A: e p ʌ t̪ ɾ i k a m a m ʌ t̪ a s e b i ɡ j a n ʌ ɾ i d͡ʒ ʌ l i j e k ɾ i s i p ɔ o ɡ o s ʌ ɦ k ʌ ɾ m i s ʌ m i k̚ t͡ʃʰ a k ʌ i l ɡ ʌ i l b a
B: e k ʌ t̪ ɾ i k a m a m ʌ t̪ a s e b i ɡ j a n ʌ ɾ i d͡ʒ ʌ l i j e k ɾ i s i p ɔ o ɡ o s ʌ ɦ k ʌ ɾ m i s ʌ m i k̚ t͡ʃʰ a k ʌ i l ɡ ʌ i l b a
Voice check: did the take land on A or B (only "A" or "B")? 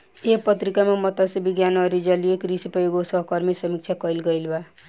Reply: A